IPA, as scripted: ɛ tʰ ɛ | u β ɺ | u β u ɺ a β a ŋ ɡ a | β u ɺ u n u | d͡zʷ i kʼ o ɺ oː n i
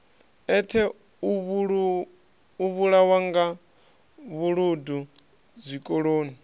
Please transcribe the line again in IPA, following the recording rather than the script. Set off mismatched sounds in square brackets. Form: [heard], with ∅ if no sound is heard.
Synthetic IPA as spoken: ɛ tʰ ɛ | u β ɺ | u β u ɺ a [w] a ŋ ɡ a | β u ɺ u [d] u | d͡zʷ i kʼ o ɺ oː n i